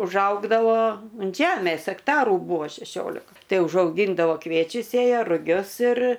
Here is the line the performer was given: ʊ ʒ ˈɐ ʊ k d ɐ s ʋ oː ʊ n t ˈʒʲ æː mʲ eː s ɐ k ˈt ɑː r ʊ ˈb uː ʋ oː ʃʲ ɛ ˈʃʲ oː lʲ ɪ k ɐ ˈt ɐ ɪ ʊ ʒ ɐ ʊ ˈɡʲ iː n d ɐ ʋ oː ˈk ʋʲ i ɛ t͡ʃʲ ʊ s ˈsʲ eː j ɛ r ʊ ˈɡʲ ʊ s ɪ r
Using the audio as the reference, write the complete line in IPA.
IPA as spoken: ʊ ʒ ˈɐ ʊ ɡ d ɐ ʋ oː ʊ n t ˈʒʲ æː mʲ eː s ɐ k ˈt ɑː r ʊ ˈb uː ʋ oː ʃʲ ɛ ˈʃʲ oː lʲ ɪ k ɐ ˈt ɐ ɪ ʊ ʒ ɐ ʊ ˈɡʲ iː n d ɐ ʋ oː ˈk ʋʲ i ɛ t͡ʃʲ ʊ s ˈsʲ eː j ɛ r ʊ ˈɡʲ ʊ s ɪ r